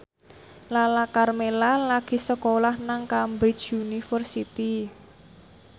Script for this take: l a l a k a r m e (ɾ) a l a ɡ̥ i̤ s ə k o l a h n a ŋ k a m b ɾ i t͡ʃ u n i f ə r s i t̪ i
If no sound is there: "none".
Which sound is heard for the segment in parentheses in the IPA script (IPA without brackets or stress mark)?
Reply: l